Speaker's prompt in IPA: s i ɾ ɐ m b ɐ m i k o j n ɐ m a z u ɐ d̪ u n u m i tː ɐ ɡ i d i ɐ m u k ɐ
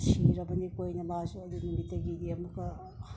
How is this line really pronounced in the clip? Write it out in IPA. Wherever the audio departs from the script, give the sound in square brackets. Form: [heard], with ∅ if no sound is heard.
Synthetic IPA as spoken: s i ɾ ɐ [∅] b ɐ [n] i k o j n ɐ m a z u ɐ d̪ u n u m i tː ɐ ɡ i d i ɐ m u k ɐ